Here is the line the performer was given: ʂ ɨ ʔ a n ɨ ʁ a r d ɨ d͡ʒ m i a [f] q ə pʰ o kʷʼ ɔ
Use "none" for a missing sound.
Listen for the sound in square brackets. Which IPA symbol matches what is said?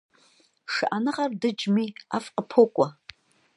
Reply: f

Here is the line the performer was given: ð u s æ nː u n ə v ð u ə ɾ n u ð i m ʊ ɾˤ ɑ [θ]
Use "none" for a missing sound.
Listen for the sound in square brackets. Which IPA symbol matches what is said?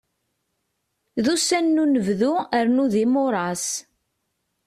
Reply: s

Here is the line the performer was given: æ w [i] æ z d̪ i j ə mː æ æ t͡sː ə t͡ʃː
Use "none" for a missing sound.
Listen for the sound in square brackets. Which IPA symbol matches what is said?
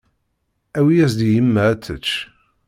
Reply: i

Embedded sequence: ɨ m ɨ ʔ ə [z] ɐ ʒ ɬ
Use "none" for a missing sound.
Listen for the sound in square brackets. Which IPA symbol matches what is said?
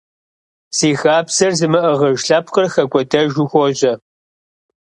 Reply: ʁ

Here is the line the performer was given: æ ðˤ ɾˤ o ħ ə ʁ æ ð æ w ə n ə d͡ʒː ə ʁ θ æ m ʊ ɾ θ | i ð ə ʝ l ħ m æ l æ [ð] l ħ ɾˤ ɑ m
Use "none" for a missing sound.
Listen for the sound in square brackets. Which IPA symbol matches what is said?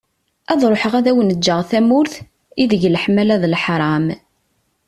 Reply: ð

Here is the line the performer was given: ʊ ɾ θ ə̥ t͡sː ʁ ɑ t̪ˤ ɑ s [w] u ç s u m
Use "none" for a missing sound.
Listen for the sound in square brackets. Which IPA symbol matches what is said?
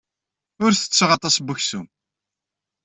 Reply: b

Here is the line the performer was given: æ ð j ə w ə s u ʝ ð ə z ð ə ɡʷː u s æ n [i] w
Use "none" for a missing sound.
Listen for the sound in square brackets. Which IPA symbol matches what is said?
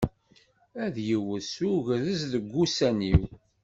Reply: i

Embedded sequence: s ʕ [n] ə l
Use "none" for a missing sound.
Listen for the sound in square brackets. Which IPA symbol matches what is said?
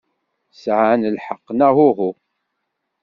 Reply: n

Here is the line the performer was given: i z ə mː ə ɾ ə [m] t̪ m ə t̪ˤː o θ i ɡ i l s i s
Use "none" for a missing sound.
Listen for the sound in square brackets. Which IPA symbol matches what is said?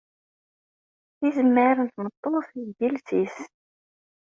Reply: n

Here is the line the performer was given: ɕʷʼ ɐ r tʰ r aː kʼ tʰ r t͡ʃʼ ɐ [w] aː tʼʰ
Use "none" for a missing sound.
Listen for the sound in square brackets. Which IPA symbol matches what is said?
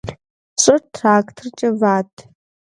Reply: v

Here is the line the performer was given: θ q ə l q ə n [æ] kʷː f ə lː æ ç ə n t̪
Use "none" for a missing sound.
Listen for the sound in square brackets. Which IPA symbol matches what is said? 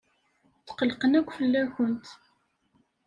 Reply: æ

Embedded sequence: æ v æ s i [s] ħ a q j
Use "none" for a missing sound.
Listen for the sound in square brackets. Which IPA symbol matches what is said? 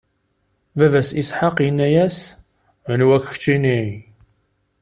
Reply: s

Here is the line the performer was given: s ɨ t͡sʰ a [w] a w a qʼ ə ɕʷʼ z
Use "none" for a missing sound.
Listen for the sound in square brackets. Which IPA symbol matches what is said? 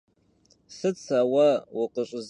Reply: w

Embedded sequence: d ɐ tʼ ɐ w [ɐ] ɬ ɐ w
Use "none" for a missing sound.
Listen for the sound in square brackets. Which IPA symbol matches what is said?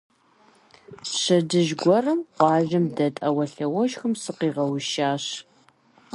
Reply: ɐ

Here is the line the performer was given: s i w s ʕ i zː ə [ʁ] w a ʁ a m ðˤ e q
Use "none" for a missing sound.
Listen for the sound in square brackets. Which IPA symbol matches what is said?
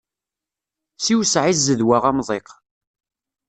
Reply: ð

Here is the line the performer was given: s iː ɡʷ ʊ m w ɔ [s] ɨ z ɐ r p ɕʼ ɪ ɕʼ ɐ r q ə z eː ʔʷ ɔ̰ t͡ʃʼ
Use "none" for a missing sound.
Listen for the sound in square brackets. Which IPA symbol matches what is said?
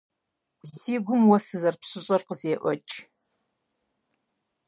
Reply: s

